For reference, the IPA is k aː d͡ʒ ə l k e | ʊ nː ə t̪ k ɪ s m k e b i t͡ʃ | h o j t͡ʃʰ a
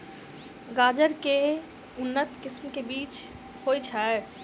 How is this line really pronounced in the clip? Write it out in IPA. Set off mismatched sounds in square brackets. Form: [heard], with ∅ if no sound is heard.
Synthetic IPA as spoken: [ɡ] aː d͡ʒ ə [ɾ] k e | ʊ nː ə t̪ k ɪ s m k e b [iː] t͡ʃ | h o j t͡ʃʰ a